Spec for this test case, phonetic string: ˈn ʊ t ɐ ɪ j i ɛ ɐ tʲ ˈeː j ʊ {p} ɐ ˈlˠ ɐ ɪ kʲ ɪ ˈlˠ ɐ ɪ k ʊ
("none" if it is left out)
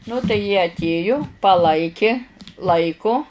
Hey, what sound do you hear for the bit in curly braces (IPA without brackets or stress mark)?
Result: p